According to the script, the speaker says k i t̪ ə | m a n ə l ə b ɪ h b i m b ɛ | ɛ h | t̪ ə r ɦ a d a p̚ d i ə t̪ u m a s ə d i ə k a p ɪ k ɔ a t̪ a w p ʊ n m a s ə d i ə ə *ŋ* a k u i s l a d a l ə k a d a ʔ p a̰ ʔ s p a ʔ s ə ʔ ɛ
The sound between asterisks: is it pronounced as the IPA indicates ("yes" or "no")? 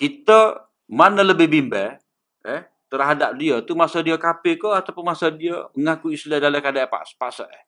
yes